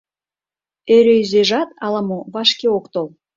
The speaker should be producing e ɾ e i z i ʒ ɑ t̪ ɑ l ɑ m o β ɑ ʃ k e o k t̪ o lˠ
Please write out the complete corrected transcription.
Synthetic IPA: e ɾ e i z e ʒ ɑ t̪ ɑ l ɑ m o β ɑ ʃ k e o k t̪ o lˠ